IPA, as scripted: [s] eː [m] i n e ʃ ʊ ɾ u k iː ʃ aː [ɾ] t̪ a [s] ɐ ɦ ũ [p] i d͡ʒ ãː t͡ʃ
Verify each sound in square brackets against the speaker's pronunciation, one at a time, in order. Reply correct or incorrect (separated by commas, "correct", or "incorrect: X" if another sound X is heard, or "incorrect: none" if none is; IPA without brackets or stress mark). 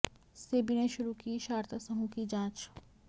correct, incorrect: b, correct, correct, incorrect: k